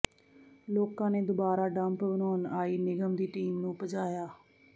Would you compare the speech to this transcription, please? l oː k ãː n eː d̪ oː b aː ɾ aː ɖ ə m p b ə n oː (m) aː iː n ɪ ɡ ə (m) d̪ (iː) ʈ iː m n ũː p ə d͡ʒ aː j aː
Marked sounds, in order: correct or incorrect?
incorrect: n, correct, correct

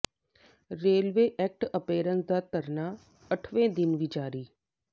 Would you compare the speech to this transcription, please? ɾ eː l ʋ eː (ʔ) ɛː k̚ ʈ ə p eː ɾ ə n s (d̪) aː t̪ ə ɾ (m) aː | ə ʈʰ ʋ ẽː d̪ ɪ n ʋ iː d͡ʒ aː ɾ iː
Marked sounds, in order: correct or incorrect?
correct, correct, incorrect: n

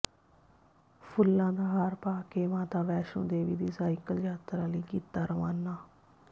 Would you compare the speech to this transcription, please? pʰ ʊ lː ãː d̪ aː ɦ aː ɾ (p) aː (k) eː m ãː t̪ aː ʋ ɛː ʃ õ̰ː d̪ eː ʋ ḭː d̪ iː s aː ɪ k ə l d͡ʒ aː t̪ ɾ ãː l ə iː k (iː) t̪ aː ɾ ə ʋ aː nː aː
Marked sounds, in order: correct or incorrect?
correct, correct, correct

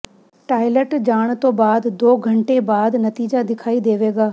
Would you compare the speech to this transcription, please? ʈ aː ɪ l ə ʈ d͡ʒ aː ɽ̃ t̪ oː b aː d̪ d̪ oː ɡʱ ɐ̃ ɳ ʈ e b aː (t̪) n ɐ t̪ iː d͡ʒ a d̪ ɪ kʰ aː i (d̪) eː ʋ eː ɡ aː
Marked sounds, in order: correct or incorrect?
incorrect: d̪, correct

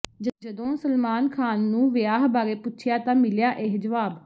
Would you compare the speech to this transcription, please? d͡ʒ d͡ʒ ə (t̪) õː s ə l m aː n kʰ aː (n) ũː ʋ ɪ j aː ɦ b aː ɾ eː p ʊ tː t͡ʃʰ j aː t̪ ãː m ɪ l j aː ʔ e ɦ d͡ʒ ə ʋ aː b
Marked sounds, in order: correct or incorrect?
incorrect: d̪, incorrect: nː

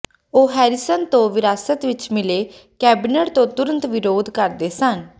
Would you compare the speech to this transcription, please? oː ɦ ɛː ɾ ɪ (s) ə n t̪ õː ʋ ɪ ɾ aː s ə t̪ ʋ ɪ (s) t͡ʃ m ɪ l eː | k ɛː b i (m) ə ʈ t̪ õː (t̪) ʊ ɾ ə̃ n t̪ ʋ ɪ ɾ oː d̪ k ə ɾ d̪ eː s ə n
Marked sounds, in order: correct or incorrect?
correct, incorrect: none, incorrect: n, correct

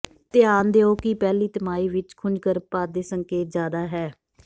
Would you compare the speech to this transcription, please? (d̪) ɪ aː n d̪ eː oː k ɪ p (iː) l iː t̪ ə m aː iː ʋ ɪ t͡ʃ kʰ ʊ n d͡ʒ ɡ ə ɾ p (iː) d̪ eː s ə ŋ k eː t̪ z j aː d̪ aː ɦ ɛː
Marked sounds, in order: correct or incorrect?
incorrect: t̪, incorrect: ɛː, incorrect: aː

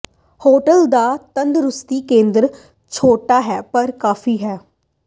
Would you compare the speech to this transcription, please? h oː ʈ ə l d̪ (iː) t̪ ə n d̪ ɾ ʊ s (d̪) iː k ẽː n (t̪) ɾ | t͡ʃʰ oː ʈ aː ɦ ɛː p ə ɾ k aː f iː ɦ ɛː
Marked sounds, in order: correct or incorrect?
incorrect: aː, incorrect: t̪, incorrect: d̪

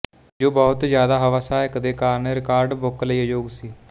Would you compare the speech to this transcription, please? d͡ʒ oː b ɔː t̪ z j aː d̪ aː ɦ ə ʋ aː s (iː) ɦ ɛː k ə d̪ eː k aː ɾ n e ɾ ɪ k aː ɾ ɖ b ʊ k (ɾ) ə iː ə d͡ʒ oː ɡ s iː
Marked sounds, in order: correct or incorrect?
incorrect: aː, incorrect: l

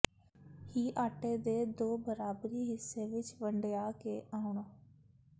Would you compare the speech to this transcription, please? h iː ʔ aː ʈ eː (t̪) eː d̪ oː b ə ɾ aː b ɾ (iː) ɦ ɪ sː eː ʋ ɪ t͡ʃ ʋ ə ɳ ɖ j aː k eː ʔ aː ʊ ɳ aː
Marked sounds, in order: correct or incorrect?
incorrect: d̪, correct

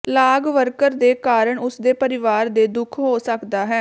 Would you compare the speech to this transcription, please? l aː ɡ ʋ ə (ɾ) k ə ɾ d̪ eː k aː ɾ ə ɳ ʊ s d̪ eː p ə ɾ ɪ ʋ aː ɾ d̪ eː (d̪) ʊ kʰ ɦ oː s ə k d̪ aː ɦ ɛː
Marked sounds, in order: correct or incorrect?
correct, correct

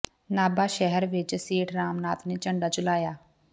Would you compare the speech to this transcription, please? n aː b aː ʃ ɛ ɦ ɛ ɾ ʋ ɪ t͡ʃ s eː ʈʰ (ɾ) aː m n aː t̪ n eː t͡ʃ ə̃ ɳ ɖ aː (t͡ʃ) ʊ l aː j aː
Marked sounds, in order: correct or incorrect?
correct, correct

